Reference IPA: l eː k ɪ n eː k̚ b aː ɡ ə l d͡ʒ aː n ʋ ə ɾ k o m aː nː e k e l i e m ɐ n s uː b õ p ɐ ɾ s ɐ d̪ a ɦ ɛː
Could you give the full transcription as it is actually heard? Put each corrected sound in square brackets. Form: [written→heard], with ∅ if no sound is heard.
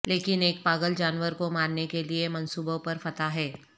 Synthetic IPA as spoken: l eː k ɪ n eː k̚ [b→p] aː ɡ ə l d͡ʒ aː n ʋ ə ɾ k o m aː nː e k e l i e m ɐ n s uː b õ p ɐ ɾ [s→f] ɐ [d̪→t̪] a ɦ ɛː